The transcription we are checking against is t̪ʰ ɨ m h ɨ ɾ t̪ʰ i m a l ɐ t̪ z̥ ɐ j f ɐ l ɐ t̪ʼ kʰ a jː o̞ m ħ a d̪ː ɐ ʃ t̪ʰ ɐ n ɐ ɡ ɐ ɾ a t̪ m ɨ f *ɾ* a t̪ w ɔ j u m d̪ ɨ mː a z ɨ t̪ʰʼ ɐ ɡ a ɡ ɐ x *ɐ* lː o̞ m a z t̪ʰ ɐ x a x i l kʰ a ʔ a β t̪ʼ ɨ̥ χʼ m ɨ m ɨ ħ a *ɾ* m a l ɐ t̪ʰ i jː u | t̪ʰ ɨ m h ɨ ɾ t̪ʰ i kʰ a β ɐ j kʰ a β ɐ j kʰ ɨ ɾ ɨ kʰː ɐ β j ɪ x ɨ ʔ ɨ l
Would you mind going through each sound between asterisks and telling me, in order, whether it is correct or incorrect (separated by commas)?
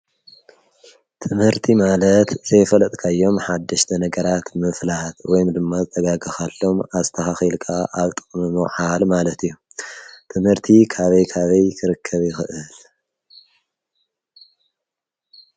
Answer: incorrect, incorrect, incorrect